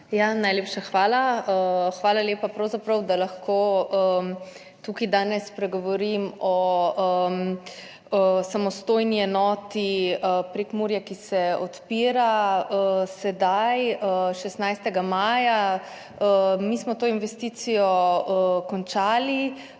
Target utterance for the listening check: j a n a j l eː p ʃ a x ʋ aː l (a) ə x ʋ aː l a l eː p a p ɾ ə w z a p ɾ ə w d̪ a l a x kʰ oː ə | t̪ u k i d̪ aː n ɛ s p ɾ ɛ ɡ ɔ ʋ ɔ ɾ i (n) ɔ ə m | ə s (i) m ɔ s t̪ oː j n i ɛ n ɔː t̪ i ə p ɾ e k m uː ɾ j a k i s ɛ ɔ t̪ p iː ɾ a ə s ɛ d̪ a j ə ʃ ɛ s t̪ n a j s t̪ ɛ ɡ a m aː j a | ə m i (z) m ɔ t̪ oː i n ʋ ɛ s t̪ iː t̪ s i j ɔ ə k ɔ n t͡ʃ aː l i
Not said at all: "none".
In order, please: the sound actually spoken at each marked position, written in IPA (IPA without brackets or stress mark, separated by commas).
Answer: a, m, a, s